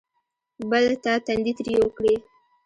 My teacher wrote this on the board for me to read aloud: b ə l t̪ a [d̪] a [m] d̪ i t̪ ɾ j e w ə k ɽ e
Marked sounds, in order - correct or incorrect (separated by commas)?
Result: incorrect, incorrect